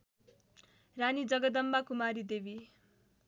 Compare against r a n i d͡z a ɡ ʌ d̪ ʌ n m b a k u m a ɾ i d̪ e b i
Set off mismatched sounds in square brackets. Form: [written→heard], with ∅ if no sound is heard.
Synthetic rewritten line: r a n i d͡z [a→ʌ] ɡ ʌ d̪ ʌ [n→∅] m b a k u m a ɾ i d̪ e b i